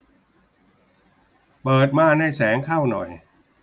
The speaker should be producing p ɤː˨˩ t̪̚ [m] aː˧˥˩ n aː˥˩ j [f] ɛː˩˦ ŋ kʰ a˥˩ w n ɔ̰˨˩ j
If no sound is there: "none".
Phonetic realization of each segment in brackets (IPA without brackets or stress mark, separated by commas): m, s